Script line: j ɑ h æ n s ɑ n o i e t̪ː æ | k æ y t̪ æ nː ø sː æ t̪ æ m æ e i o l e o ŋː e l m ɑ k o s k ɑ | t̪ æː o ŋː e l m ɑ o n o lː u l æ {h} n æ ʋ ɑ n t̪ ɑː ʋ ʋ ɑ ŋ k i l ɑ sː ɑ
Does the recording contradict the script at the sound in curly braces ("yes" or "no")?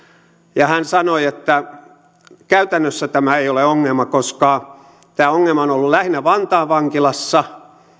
no